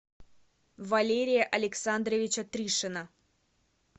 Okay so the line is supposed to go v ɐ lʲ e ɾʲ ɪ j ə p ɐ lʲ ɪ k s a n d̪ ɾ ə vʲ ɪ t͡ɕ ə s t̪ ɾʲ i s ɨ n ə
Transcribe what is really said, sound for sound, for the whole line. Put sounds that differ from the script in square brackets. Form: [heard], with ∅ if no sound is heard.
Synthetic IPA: v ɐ lʲ e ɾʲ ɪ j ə [ʔ] ɐ lʲ ɪ k s a n d̪ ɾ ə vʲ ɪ t͡ɕ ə [∅] t̪ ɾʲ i [ʂ] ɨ n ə

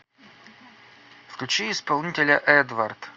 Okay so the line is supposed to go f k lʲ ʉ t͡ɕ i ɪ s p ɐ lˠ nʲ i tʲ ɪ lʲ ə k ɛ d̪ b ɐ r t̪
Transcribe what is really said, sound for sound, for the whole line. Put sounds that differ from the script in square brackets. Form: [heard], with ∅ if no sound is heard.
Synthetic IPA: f k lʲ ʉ t͡ɕ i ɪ s p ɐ lˠ nʲ i tʲ ɪ lʲ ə [ʔ] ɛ d̪ [v] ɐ r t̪

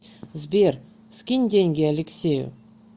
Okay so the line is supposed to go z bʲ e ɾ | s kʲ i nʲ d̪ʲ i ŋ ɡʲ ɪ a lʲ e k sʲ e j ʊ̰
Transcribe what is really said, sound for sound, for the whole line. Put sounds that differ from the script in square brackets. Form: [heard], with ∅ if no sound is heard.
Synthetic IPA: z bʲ e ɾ | s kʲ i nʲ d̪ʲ [e] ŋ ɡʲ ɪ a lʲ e k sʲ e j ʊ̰

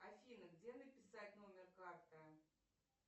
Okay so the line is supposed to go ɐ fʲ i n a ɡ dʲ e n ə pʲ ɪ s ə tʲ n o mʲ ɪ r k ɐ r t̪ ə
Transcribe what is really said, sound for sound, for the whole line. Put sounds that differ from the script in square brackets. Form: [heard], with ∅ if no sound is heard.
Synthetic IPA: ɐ fʲ i n [ə] ɡ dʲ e n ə pʲ ɪ s [a] tʲ n o mʲ ɪ r k [a] r t̪ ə

